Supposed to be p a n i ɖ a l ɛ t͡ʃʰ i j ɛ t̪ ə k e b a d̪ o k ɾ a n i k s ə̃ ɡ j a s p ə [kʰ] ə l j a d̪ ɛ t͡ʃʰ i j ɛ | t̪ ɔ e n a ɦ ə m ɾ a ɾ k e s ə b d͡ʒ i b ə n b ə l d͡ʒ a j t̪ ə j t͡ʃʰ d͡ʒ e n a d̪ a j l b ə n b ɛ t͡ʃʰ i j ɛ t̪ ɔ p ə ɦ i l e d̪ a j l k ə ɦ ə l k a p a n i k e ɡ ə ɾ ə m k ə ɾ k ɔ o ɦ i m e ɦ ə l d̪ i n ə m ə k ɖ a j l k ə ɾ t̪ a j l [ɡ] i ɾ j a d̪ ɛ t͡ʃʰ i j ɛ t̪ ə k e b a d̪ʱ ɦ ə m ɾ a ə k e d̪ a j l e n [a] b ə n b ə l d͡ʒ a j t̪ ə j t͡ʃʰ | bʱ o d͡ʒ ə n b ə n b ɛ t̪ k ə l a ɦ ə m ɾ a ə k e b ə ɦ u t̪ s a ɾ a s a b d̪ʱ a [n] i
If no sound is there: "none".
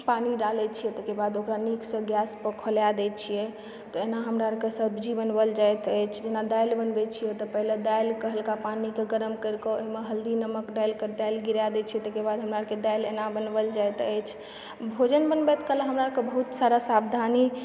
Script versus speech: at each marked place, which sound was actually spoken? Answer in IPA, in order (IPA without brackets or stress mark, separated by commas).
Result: kʰ, ɡ, a, n